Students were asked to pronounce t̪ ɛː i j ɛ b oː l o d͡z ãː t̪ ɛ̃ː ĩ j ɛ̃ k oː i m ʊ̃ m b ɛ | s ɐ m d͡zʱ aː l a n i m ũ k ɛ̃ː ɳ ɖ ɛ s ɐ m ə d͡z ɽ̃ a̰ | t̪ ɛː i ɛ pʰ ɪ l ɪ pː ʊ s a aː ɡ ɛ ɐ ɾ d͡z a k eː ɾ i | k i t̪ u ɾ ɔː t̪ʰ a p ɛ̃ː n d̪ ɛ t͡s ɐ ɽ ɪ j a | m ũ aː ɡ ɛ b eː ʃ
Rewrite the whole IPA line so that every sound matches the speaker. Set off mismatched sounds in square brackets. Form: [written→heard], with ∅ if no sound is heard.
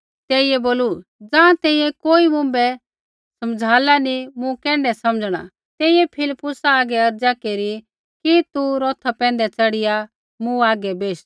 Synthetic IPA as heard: t̪ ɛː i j ɛ b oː l [o→u] d͡z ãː t̪ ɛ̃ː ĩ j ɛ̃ k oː i m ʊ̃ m b ɛ | s ɐ m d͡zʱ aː l a n i m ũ k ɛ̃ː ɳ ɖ ɛ s ɐ m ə d͡z ɽ̃ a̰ | t̪ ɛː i ɛ pʰ ɪ l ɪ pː ʊ s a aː ɡ ɛ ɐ ɾ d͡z a k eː ɾ i | k i t̪ u ɾ ɔː t̪ʰ a p ɛ̃ː n d̪ ɛ t͡s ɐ ɽ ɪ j a | m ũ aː ɡ ɛ b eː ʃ